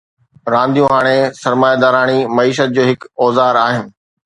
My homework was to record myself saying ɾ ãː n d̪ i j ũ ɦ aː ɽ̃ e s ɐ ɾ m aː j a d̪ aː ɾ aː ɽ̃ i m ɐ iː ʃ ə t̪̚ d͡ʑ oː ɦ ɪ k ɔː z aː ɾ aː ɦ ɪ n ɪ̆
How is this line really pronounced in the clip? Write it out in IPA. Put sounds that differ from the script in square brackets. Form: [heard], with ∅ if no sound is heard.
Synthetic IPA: ɾ ãː n d̪ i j ũ ɦ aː ɽ̃ e s ɐ ɾ m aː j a d̪ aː ɾ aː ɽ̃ i m ɐ iː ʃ ə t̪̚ d͡ʑ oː ɦ ɪ k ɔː z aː ɾ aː ɦ ɪ n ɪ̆